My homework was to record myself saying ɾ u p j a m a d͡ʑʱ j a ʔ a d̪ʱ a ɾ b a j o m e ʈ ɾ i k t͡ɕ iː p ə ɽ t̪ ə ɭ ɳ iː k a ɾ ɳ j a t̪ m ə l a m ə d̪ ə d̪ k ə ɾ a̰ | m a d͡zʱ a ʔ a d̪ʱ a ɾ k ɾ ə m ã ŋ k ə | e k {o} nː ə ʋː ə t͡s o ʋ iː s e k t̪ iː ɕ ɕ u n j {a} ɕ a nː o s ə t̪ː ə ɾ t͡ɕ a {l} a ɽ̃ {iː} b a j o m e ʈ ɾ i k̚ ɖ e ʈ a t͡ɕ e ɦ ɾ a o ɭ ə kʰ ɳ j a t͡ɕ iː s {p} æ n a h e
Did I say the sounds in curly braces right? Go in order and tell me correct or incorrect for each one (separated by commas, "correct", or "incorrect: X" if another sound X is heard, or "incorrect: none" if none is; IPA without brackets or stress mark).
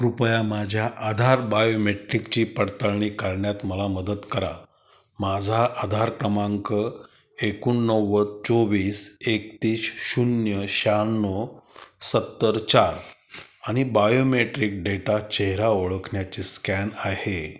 incorrect: u, incorrect: ə, incorrect: ɾ, incorrect: i, incorrect: k